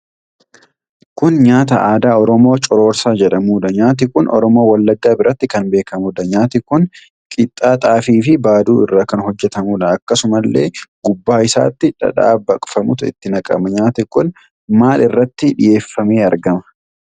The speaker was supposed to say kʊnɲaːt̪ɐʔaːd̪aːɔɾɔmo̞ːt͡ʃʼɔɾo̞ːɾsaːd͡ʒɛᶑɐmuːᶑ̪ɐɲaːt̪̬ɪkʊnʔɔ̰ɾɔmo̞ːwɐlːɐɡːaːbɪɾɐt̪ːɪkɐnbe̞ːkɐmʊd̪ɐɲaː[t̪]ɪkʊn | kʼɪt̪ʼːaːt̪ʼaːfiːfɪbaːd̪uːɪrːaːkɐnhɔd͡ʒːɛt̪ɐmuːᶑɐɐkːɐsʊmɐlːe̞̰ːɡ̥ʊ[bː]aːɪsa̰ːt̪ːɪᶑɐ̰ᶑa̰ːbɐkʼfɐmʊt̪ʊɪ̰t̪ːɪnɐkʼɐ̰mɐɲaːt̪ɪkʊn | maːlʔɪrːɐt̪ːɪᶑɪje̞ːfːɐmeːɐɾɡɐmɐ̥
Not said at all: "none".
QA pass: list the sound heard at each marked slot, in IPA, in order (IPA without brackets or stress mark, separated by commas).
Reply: t̪, bː